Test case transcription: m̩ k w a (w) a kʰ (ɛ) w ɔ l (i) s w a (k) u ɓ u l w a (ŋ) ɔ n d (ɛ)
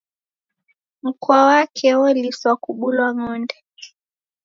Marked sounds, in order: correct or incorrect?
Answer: correct, correct, correct, correct, correct, correct

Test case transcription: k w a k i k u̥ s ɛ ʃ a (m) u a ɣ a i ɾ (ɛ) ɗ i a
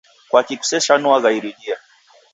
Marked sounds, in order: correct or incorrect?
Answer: incorrect: n, incorrect: i

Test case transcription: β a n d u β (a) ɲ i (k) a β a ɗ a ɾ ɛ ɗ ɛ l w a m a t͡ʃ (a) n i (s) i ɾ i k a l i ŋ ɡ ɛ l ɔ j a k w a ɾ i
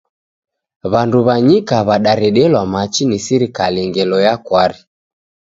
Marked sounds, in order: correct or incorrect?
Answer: correct, correct, incorrect: i, correct

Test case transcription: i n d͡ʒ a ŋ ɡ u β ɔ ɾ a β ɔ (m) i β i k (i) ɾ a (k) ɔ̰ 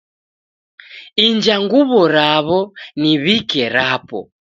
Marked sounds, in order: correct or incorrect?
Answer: incorrect: n, incorrect: ɛ, incorrect: p

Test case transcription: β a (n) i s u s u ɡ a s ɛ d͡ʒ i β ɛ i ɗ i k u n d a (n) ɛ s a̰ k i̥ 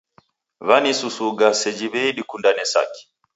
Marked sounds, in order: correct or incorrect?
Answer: correct, correct

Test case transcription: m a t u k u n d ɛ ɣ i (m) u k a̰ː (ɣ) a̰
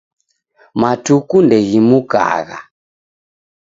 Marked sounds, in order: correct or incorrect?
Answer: correct, correct

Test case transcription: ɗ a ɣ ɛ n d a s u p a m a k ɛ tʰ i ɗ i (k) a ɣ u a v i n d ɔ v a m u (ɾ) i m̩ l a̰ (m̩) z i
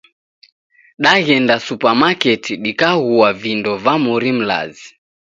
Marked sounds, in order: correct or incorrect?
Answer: correct, correct, incorrect: none

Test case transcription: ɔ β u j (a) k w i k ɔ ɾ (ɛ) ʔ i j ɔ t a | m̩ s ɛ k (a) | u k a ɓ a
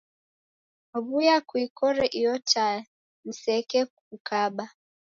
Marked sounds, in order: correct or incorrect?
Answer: correct, correct, incorrect: ɛ

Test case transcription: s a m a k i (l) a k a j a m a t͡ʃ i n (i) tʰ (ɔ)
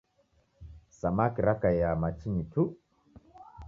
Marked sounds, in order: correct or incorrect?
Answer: incorrect: ɾ, correct, incorrect: u

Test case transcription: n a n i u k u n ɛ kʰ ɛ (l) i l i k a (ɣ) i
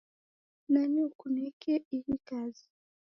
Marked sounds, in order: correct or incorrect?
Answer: incorrect: none, incorrect: z

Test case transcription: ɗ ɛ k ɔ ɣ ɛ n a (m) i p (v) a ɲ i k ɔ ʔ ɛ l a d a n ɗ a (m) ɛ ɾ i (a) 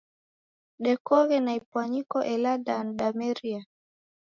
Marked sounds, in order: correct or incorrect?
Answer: incorrect: none, incorrect: w, correct, correct

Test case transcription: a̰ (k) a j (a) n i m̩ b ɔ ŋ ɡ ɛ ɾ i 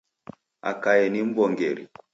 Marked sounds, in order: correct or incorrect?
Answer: correct, incorrect: ɛ

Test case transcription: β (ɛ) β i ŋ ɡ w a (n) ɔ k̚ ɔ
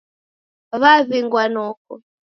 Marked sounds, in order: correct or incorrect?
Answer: incorrect: a, correct

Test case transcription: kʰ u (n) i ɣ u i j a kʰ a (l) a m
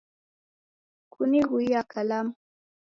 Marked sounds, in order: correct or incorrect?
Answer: correct, correct

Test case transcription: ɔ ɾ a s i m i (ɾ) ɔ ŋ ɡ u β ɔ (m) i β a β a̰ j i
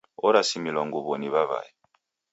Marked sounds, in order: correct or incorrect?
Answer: incorrect: l, incorrect: n

